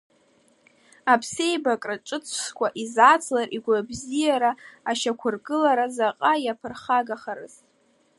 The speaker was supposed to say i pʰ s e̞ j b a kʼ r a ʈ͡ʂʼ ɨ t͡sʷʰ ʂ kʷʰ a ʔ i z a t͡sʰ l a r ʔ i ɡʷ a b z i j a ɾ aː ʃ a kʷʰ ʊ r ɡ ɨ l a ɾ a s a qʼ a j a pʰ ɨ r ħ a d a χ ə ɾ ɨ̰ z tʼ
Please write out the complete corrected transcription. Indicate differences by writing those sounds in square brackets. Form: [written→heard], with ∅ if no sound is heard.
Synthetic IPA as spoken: [i→a] pʰ s e̞ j b a kʼ r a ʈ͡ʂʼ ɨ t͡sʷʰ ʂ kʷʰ a ʔ i z a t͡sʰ l a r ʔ i ɡʷ a b z i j a ɾ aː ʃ a kʷʰ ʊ r ɡ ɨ l a ɾ a [s→z] a qʼ a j a pʰ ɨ r [ħ→χ] a [d→ɡ] a χ [ə→a] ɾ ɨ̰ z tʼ